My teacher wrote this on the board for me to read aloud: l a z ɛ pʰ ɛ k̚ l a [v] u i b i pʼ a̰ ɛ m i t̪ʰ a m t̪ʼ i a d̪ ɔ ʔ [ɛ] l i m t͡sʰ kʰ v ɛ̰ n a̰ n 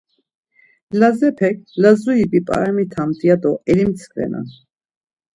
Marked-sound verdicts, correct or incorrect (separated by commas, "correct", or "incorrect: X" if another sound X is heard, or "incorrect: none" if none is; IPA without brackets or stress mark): incorrect: z, correct